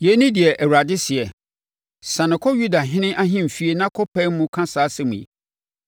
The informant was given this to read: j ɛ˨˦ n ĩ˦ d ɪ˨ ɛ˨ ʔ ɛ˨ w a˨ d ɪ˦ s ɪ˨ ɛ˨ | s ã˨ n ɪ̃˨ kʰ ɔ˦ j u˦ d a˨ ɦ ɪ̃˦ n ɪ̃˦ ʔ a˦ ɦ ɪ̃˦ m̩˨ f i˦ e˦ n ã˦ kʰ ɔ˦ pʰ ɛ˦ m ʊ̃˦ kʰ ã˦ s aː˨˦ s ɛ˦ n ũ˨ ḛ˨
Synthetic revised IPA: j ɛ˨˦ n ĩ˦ d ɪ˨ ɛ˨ ʔ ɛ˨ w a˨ d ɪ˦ s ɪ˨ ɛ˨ | s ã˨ n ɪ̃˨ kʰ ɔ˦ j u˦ d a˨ ɦ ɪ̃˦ n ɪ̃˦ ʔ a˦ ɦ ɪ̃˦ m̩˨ f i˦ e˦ n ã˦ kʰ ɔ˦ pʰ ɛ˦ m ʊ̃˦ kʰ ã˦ s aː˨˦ s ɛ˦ m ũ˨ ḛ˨